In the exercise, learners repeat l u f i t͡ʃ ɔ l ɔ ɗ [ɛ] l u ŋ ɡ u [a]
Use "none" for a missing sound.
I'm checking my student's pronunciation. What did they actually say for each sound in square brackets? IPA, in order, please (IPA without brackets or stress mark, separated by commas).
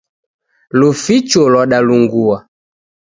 a, a